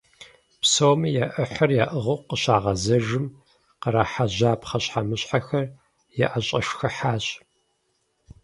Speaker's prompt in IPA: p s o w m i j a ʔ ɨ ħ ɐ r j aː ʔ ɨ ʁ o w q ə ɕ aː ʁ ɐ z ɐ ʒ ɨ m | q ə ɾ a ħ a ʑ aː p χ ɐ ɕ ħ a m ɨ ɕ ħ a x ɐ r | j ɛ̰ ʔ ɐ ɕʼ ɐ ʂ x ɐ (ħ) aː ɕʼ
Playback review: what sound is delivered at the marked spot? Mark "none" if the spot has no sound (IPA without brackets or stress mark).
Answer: ħ